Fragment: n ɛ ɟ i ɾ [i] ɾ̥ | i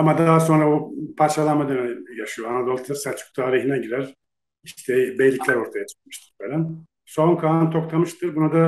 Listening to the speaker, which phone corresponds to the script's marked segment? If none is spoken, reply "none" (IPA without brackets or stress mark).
æ